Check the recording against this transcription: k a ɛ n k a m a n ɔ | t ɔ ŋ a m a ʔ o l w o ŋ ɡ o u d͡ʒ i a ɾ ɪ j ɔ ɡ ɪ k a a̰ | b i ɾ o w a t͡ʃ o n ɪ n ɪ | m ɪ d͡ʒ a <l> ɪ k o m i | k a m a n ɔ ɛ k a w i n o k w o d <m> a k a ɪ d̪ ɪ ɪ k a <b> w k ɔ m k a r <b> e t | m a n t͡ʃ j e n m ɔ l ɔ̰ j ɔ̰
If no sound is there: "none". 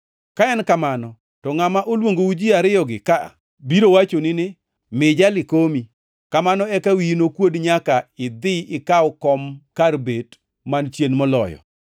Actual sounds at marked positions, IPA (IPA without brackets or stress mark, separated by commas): l, ɲ, none, b